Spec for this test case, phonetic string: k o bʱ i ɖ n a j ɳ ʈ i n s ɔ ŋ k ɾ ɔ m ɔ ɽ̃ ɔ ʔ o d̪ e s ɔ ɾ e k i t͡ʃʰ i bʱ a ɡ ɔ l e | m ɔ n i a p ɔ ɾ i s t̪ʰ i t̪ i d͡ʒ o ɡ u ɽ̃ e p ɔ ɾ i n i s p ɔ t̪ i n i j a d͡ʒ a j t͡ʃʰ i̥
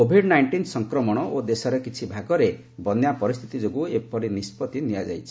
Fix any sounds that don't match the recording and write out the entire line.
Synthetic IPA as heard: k o bʱ i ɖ n a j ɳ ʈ i n s ɔ ŋ k ɾ ɔ m ɔ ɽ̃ ɔ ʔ o d̪ e s ɔ ɾ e k i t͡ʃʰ i bʱ a ɡ ɔ ɾ e | b ɔ n j a p ɔ ɾ i s t̪ʰ i t̪ i d͡ʒ o ɡ u e p ɔ ɾ i n i s p ɔ t̪ i n i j a d͡ʒ a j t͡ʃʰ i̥